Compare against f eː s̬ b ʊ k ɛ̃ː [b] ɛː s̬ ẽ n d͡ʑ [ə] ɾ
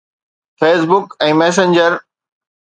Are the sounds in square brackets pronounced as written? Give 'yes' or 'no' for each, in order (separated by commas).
no, yes